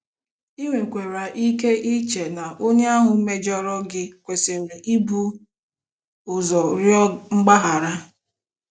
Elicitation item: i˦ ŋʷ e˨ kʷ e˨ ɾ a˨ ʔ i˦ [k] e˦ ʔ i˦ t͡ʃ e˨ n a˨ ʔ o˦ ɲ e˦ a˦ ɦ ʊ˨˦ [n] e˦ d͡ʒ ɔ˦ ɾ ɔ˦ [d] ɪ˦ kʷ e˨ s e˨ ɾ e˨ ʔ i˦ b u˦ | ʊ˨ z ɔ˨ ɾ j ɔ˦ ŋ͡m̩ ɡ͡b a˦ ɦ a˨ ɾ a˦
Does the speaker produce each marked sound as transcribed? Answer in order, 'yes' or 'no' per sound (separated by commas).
yes, no, no